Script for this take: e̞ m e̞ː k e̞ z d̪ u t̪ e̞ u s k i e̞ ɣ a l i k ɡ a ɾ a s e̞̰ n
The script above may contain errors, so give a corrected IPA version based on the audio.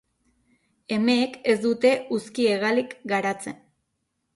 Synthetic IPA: e̞ m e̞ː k e̞ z d̪ u t̪ e̞ u s k i e̞ ɣ a l i k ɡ a ɾ a t͡s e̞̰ n